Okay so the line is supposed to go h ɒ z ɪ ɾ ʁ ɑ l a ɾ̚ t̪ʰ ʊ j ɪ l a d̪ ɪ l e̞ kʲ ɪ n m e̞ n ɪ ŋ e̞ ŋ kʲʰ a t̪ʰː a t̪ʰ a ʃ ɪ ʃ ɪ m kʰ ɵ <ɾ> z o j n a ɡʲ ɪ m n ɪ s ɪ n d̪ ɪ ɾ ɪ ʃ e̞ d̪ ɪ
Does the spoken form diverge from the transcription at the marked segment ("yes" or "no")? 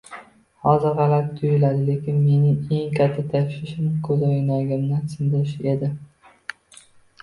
yes